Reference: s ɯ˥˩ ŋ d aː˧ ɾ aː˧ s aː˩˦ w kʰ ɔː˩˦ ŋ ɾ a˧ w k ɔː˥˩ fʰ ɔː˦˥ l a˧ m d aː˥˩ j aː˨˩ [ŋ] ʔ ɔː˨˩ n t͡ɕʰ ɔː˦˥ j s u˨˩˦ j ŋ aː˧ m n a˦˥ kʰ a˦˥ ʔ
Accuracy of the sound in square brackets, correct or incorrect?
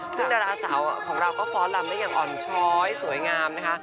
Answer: correct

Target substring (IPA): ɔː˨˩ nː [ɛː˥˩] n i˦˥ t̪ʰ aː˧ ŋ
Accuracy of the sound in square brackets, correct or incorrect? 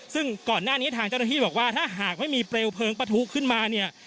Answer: incorrect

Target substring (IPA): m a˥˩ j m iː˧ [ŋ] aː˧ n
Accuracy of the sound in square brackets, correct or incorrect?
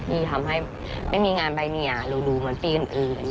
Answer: correct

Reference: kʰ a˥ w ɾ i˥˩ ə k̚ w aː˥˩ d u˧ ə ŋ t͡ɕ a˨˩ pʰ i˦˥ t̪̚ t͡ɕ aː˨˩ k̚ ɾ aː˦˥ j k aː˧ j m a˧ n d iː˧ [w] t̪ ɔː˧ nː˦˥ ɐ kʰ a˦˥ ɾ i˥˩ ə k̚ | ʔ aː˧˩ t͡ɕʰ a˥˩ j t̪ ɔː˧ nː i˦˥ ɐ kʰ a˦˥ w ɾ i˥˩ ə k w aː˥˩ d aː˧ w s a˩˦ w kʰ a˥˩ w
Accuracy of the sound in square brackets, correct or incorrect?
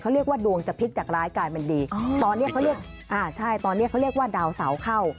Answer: incorrect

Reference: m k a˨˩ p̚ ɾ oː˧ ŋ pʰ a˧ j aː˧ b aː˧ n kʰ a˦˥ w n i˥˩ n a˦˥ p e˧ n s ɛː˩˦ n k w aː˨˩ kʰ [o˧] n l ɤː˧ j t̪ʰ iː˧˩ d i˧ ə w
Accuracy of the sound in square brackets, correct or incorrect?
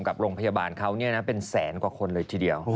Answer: correct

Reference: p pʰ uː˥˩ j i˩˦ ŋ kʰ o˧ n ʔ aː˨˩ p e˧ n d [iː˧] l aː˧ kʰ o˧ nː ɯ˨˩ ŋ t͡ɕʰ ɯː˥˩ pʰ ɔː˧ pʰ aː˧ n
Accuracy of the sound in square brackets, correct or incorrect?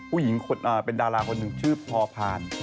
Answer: incorrect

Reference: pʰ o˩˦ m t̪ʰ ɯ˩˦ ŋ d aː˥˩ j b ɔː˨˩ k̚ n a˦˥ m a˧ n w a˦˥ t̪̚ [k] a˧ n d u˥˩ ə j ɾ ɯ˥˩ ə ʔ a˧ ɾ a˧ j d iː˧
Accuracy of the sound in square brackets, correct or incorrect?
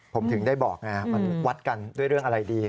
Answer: correct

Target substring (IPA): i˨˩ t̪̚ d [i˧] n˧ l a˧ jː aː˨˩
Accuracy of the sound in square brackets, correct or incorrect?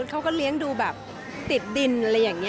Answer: correct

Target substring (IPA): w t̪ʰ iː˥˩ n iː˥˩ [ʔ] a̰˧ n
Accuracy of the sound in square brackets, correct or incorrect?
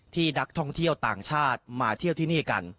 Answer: incorrect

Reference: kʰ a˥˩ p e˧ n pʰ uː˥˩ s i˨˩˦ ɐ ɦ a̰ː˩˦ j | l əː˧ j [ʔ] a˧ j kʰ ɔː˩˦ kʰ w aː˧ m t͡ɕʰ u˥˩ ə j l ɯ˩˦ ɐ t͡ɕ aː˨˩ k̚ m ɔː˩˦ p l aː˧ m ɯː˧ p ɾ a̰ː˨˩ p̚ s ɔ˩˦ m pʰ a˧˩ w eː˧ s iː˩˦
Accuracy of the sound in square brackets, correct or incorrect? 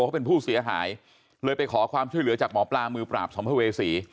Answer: incorrect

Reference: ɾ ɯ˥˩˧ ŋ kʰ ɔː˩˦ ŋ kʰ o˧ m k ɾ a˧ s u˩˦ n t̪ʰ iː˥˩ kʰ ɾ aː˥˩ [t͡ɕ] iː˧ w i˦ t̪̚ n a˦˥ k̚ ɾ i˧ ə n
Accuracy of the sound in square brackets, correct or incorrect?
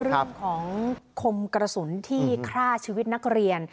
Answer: incorrect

